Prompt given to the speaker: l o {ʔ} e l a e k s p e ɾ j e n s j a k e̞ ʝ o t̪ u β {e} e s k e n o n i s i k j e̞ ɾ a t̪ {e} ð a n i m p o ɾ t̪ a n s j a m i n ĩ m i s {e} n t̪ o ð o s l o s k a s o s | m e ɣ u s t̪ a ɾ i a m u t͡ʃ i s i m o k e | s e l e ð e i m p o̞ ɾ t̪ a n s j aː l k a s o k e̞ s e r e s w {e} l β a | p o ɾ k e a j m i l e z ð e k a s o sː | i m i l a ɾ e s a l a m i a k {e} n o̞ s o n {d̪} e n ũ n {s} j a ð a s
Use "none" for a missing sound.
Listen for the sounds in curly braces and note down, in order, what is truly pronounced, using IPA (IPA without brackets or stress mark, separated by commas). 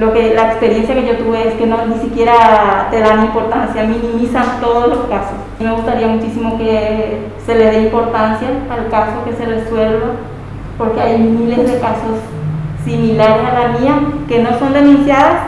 k, e, e, a, e, e, d̪, s